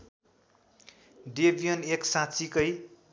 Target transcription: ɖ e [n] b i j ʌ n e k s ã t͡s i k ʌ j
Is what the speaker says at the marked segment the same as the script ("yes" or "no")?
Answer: no